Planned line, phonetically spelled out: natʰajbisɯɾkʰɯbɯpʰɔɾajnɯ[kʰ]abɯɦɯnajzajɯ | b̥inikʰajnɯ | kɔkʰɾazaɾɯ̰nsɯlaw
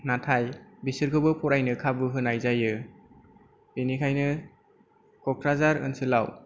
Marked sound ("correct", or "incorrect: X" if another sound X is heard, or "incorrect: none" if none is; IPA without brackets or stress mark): correct